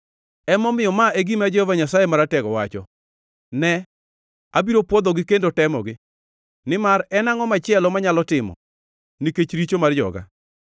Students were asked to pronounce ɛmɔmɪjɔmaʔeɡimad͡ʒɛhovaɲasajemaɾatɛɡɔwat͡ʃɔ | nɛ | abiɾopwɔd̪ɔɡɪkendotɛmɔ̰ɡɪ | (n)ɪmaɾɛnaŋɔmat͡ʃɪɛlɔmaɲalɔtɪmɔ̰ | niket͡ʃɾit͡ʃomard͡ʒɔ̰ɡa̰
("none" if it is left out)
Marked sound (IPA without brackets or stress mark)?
n